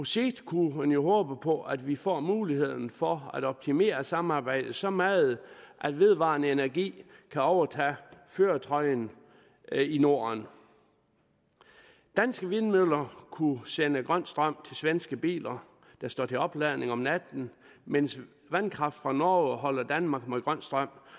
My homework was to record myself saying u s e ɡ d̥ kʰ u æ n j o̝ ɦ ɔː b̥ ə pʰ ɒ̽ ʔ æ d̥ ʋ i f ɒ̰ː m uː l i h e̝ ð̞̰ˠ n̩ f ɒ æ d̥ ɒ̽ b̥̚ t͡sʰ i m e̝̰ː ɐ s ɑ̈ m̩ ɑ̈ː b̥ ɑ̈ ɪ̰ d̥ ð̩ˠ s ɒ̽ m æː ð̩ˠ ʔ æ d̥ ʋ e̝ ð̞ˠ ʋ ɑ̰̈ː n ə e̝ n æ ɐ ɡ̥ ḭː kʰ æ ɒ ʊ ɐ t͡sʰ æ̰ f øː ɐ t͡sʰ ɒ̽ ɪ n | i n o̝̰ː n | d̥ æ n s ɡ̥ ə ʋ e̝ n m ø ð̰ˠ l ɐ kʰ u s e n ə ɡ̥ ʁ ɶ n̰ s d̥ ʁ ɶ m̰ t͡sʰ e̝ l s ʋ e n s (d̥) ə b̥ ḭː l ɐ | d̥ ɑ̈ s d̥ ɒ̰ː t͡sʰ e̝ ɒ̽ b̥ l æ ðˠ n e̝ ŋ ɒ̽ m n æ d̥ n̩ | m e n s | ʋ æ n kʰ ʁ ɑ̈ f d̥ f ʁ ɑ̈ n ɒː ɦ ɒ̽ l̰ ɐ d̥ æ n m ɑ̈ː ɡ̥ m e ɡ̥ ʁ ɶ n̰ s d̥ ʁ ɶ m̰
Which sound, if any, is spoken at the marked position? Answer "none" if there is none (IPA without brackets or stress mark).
ɡ̥